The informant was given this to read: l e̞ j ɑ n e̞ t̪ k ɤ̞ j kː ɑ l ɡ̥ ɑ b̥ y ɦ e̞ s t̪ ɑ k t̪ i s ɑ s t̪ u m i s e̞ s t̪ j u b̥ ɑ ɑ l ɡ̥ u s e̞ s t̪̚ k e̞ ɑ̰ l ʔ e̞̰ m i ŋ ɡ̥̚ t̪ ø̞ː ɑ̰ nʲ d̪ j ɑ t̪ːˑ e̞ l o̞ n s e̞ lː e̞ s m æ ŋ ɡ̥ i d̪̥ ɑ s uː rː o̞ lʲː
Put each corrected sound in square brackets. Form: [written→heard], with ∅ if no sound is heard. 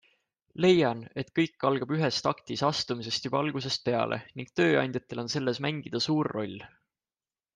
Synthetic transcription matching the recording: l e̞ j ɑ n e̞ t̪ k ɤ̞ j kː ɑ l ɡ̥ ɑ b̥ y ɦ e̞ s t̪ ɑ k t̪ i s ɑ s t̪ u m i s e̞ s t̪ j u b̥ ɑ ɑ l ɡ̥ u s e̞ s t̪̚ [k→p] e̞ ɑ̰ l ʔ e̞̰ [m→n] i ŋ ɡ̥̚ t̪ ø̞ː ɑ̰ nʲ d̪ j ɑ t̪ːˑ e̞ l o̞ n s e̞ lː e̞ s m æ ŋ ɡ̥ i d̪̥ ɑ s uː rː o̞ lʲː